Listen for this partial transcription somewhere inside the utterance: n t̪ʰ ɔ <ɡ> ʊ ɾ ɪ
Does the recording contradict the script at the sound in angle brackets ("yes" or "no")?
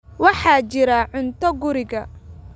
no